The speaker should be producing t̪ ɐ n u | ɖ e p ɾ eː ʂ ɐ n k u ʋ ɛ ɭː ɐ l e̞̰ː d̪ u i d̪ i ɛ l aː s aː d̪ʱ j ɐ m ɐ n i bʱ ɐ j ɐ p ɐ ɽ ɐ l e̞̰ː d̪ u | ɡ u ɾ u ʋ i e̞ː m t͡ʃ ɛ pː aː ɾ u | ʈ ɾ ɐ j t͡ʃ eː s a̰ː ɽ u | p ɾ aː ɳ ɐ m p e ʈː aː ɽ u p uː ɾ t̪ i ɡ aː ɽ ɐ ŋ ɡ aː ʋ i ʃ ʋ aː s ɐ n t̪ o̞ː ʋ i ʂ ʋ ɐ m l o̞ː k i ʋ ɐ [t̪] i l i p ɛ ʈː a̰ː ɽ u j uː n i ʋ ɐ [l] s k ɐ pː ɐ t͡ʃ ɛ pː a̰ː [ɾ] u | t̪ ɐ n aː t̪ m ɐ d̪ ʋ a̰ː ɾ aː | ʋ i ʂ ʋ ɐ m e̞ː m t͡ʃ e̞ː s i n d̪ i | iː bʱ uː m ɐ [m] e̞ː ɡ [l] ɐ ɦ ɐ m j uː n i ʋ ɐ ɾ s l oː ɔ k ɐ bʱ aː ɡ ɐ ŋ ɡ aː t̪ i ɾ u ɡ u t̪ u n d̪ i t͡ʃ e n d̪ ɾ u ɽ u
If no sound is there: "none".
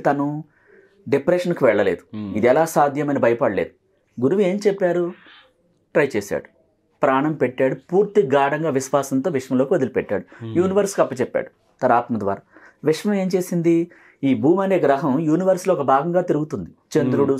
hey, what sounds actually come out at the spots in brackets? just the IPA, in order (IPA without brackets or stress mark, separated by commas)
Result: d̪, ɾ, ɽ, n, ɾ